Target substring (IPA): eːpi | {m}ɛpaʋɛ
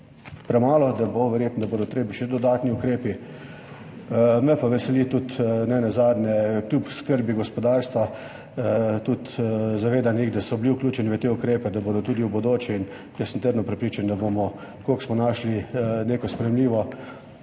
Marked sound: correct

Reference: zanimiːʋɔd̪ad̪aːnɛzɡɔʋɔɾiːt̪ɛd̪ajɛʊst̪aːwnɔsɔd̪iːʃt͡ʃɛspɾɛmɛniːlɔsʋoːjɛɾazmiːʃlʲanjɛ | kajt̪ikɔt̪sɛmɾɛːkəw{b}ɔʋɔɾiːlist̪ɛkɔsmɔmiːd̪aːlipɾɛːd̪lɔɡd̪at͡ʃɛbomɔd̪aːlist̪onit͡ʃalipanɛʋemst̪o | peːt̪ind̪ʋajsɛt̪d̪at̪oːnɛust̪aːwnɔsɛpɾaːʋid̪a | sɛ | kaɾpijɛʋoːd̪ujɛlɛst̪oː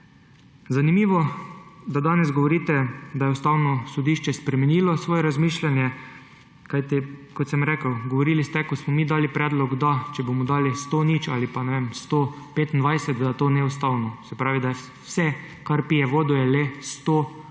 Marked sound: incorrect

